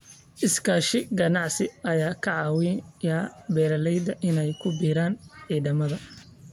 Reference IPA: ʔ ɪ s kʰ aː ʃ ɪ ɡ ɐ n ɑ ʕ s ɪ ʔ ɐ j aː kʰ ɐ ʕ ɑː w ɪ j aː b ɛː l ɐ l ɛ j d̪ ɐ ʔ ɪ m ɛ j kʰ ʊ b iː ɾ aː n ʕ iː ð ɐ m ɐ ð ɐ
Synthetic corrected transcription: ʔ ɪ s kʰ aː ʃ ɪ ɡ ɐ n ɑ ʕ s ɪ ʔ ɐ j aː kʰ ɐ ʕ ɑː w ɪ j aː b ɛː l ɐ l ɛ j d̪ ɐ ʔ ɪ n ɛ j kʰ ʊ b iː ɾ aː n ʕ iː ð ɐ m ɐ ð ɐ